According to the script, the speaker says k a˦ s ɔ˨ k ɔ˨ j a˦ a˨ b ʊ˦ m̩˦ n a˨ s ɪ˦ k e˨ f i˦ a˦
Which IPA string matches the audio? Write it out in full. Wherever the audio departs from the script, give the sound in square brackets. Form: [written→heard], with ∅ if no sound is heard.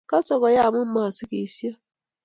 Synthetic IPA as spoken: k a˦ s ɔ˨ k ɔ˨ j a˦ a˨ [b→m] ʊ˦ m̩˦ [n→m] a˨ s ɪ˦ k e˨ [f→s] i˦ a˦

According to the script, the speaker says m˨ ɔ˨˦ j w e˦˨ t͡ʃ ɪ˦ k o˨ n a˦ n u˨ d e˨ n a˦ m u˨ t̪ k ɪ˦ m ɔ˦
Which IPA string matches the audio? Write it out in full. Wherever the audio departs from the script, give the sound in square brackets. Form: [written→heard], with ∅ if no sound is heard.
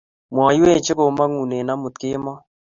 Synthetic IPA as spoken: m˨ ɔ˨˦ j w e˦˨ t͡ʃ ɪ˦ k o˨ [n→m] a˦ [n→ŋ] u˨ [d→n] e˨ n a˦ m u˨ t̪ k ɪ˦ m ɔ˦

